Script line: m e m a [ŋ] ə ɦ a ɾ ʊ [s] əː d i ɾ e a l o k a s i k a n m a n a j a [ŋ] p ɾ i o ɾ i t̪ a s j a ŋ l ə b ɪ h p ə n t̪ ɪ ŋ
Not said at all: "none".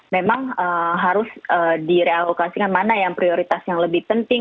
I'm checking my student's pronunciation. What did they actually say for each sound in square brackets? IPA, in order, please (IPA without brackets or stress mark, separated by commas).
ŋ, s, ŋ